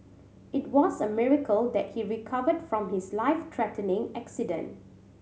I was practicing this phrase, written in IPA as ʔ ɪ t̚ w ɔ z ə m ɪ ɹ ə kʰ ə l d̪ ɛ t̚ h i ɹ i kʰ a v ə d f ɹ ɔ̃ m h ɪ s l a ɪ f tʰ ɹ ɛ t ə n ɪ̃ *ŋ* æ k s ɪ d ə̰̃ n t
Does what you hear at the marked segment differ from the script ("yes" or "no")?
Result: no